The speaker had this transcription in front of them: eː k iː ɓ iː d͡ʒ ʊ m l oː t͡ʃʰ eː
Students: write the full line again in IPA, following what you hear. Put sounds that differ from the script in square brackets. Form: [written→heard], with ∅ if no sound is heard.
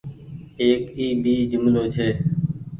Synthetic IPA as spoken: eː k iː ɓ iː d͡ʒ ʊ m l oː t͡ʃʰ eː